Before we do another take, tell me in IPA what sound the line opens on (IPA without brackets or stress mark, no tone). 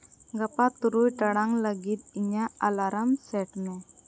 ɡ